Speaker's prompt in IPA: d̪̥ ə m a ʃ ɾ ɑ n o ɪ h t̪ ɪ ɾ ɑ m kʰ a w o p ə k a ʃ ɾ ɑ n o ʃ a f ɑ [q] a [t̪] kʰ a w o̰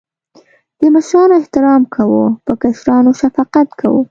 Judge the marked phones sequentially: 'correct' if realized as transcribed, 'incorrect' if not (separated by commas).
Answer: correct, correct